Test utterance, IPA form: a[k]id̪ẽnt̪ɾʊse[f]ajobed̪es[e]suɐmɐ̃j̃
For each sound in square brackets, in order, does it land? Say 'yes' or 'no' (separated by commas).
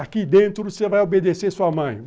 yes, no, yes